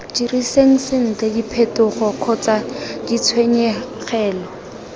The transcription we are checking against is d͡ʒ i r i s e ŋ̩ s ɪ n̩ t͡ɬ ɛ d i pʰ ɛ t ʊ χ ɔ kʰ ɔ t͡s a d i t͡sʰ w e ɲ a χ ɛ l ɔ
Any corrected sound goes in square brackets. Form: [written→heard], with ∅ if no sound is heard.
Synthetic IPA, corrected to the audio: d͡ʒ i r i s e ŋ̩ s ɪ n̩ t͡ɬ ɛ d i pʰ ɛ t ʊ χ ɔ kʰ ɔ t͡s a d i t͡sʰ w e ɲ [a→ɛ] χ [ɛ→ɛː] l ɔ